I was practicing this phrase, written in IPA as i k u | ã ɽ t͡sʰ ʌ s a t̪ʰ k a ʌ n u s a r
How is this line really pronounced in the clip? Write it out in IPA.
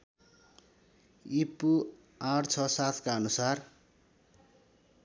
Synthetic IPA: i p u | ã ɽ t͡sʰ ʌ s a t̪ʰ k a ʌ n u s a r